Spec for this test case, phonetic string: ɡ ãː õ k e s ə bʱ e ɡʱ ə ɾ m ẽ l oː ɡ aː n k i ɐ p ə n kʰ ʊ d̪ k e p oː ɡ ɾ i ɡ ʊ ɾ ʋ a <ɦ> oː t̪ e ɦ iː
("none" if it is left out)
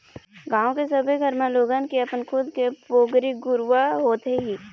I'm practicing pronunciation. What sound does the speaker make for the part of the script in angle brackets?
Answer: ɦ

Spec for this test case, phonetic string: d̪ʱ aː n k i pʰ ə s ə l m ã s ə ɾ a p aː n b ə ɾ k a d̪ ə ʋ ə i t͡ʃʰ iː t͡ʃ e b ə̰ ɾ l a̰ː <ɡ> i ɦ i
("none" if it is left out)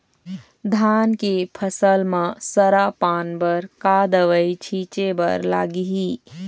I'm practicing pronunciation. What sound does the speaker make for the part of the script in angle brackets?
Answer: ɡ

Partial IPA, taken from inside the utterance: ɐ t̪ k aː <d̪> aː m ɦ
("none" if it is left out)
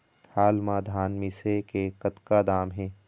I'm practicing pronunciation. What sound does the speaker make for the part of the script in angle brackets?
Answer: d̪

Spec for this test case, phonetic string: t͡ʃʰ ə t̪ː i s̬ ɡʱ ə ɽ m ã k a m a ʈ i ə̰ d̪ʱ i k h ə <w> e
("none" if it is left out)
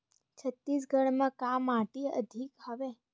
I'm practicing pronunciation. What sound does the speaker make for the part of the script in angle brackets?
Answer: ʋ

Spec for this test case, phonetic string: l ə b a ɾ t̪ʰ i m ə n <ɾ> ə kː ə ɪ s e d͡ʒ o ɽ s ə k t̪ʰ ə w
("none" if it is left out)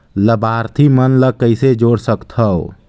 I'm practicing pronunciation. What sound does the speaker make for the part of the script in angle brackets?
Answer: l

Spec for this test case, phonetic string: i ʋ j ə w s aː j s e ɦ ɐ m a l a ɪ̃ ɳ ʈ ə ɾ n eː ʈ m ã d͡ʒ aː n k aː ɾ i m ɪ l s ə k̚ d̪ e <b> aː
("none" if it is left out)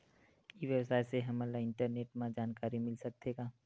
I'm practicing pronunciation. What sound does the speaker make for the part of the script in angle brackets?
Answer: ɡ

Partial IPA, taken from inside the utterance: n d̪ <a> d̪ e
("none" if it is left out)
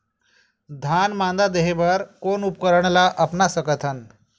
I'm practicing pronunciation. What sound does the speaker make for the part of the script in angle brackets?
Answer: a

